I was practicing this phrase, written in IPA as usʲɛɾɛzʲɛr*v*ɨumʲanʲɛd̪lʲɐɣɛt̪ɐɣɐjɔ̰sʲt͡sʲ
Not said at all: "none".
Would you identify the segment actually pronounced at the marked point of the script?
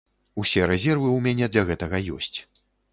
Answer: v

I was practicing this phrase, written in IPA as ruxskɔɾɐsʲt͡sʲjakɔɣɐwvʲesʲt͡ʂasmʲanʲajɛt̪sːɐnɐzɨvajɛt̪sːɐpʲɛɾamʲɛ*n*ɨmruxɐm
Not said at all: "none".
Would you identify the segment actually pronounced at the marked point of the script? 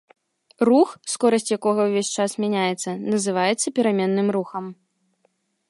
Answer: nː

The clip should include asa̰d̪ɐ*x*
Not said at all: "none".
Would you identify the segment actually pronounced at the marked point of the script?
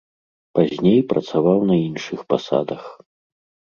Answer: x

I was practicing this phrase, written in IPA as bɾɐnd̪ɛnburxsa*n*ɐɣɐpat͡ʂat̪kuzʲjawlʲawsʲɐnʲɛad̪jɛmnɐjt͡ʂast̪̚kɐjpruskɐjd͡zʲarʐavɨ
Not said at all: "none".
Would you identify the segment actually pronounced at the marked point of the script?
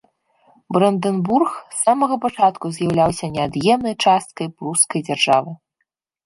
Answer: m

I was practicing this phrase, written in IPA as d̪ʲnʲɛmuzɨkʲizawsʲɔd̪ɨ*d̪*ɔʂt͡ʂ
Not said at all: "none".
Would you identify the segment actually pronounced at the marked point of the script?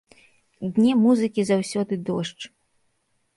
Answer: d̪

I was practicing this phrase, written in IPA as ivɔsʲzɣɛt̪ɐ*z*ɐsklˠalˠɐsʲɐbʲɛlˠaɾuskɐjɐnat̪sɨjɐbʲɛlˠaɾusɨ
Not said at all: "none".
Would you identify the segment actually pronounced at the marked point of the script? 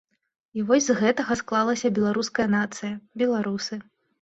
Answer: ɣ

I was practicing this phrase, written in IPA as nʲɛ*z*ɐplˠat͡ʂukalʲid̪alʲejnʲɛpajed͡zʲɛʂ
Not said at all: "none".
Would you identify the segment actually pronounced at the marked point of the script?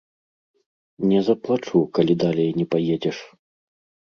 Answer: z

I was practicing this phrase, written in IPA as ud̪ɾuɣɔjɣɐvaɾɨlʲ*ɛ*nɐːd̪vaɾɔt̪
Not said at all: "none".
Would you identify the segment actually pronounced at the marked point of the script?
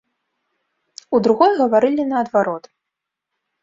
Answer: i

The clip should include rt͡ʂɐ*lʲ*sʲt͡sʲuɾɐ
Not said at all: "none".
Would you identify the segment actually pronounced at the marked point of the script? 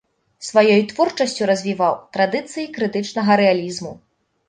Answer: none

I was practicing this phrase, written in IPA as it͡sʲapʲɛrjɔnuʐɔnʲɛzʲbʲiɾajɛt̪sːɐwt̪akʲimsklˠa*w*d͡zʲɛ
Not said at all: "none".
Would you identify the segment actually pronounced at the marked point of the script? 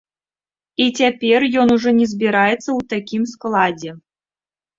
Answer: none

